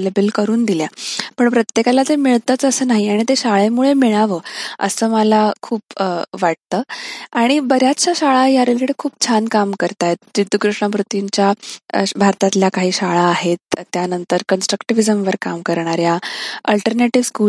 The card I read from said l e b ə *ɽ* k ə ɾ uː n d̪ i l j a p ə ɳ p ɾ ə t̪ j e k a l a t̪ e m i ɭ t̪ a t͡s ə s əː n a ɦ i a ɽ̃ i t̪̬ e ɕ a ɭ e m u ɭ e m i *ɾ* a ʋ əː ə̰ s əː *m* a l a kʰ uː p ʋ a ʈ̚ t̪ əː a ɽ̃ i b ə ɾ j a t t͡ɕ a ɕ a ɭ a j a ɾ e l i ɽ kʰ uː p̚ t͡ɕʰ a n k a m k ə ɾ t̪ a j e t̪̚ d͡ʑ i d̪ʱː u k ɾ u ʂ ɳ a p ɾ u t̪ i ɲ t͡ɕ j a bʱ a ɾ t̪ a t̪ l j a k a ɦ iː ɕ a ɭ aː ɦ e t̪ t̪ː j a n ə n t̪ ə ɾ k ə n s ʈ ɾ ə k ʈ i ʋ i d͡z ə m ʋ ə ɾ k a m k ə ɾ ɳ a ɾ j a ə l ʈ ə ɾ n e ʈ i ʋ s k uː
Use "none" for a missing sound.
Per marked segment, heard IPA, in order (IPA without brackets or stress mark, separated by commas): l, ɭ, m